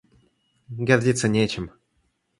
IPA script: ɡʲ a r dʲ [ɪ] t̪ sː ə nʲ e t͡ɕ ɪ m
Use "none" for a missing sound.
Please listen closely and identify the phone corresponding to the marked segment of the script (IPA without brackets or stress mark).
i